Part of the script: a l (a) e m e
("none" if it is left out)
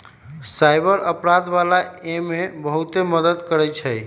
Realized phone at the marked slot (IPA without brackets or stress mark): a